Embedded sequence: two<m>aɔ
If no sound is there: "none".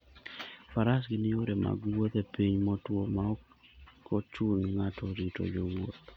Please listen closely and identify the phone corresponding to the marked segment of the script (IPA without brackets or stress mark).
m